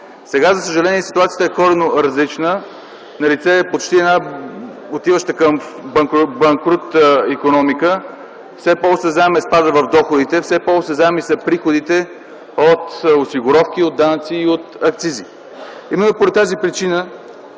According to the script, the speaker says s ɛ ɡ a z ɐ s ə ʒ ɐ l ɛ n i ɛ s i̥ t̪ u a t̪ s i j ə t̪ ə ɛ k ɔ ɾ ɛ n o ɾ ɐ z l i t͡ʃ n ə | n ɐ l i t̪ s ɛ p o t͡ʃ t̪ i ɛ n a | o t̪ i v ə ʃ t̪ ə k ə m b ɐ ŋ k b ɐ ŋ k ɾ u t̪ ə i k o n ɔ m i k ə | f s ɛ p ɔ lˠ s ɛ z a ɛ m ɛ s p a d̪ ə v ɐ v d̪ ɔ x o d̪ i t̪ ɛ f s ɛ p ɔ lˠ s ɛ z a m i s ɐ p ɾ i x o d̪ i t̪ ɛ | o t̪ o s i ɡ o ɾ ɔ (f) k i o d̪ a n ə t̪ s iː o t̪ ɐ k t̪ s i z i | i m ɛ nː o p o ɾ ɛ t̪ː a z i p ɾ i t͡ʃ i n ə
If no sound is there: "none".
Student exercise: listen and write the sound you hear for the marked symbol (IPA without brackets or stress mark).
f